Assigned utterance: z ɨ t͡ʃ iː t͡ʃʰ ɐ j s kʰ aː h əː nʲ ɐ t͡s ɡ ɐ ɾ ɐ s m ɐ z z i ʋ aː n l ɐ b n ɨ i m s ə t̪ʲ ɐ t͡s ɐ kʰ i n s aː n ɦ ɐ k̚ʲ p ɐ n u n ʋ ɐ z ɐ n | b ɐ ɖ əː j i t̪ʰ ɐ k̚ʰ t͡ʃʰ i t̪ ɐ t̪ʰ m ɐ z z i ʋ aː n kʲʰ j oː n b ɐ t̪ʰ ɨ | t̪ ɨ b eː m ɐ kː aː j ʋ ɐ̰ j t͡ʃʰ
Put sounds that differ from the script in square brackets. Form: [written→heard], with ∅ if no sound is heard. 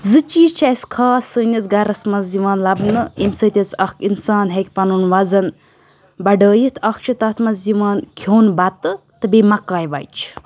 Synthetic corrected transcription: z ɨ t͡ʃ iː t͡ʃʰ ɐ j s kʰ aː [h→s] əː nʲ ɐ t͡s ɡ ɐ ɾ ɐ s m ɐ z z i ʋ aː n l ɐ b n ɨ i m s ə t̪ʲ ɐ t͡s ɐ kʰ i n s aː n ɦ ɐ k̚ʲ p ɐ n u n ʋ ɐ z ɐ n | b ɐ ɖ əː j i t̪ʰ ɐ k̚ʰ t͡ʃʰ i t̪ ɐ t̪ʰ m ɐ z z i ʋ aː n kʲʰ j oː n b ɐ [t̪ʰ→t̪] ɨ | t̪ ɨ b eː m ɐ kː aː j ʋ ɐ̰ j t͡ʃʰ